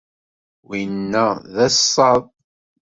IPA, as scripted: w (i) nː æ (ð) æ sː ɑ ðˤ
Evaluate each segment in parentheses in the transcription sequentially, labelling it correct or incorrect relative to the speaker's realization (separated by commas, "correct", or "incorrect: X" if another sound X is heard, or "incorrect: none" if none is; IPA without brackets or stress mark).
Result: correct, correct